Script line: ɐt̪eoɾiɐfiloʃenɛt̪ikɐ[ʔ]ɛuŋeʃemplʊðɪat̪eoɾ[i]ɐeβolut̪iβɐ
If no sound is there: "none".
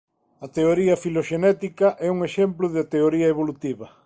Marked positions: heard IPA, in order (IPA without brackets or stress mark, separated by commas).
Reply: ʔ, i